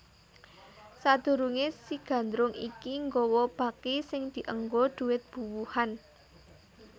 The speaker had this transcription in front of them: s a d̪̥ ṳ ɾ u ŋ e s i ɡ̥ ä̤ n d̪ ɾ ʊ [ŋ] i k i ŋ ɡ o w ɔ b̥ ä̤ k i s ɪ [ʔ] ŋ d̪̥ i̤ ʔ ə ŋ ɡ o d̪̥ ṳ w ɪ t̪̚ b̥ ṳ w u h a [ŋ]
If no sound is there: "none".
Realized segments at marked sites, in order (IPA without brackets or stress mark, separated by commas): ŋ, none, n